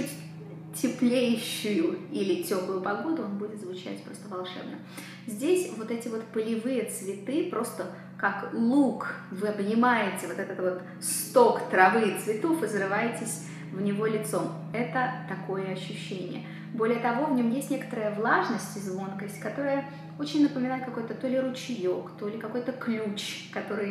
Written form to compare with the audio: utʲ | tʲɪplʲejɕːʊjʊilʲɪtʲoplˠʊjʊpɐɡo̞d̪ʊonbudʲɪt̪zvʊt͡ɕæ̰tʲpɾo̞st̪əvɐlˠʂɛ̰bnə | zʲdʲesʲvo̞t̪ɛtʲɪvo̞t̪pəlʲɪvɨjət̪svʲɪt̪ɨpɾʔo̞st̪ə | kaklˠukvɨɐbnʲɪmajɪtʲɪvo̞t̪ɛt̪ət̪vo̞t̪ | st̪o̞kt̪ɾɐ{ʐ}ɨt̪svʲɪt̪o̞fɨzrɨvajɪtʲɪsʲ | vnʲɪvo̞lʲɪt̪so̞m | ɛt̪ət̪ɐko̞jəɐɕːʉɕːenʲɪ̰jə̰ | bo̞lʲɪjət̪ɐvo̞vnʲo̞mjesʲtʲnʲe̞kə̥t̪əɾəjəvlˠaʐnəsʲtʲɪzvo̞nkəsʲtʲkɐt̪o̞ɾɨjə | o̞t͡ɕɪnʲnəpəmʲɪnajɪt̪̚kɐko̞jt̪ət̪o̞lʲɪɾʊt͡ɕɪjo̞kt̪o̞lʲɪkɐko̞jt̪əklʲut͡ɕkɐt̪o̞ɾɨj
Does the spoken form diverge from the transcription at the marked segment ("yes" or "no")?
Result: yes